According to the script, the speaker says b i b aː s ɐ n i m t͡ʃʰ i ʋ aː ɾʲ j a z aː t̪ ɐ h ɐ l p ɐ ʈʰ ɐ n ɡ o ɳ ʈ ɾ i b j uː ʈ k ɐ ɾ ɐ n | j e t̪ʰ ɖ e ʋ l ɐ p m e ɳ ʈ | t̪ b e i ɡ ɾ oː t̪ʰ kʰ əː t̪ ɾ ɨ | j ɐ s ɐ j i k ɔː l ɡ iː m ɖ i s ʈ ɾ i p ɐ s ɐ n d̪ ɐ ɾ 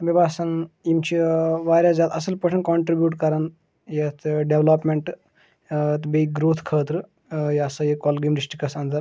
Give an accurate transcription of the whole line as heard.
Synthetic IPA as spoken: b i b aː s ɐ n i m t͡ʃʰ i ʋ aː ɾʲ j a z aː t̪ ɐ s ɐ l p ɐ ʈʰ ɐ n k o ɳ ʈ ɾ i b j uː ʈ k ɐ ɾ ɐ n | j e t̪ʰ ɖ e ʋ l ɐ p m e ɳ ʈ | t̪ b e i ɡ ɾ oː t̪ʰ kʰ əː t̪ ɾ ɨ | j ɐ s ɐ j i k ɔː l ɡ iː m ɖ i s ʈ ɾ i k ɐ s ɐ n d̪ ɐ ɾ